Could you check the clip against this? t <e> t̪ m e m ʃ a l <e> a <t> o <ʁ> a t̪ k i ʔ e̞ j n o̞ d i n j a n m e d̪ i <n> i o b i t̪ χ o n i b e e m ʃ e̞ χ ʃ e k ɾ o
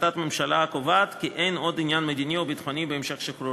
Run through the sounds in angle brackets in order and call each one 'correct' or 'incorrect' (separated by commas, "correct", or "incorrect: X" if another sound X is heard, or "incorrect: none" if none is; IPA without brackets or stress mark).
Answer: incorrect: a, incorrect: a, incorrect: k, incorrect: v, correct